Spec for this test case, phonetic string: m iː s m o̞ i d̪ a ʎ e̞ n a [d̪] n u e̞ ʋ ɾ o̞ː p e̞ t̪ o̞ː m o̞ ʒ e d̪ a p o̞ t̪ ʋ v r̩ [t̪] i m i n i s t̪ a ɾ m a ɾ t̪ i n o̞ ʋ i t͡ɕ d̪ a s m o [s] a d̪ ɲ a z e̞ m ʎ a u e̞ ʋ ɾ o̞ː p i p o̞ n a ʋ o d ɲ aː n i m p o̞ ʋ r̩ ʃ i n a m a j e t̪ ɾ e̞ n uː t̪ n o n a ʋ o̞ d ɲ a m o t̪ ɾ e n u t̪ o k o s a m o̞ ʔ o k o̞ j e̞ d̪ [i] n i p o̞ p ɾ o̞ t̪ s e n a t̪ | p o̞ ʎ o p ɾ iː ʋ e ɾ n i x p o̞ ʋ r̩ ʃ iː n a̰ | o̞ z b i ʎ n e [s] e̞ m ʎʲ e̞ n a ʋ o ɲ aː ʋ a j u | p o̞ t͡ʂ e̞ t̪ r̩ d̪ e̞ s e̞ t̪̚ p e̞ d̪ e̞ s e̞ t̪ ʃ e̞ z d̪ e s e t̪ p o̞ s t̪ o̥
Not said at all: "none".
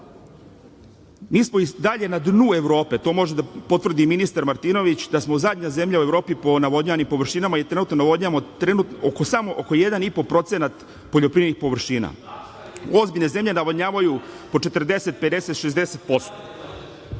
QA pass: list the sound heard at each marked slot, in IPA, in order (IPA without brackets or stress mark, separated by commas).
d̪, d̪, z, a, z